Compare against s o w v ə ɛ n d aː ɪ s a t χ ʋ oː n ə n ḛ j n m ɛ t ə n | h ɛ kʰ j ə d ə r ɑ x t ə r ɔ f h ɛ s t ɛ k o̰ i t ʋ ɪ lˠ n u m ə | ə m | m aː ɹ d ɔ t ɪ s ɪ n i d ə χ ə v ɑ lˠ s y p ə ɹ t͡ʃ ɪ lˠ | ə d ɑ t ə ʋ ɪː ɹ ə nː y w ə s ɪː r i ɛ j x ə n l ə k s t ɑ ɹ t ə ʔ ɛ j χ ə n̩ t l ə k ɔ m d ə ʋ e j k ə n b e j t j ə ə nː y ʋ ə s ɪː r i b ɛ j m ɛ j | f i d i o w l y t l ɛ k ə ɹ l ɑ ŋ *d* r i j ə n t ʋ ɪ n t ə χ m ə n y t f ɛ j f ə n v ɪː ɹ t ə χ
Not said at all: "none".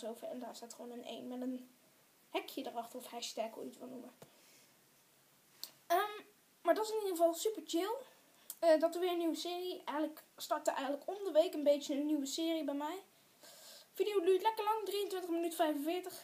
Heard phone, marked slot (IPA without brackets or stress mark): d